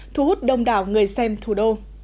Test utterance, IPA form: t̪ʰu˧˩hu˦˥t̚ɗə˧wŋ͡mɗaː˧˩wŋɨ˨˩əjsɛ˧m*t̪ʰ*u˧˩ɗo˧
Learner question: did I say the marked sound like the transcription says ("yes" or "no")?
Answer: yes